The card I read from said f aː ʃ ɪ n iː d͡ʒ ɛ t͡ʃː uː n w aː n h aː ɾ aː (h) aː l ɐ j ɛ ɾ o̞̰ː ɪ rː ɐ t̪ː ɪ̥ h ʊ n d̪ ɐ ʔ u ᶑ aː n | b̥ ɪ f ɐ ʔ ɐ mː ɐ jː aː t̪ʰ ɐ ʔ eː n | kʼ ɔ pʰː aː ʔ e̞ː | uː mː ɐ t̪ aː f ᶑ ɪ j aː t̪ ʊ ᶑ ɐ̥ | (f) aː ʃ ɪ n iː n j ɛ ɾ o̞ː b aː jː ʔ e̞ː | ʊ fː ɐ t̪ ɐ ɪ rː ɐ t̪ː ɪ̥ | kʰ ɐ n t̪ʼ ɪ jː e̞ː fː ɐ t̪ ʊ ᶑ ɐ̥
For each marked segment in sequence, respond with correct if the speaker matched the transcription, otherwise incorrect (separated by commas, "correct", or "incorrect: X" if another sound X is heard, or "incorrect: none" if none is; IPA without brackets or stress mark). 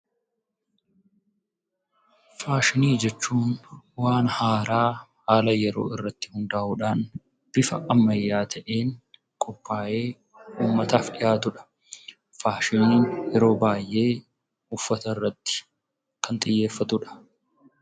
correct, correct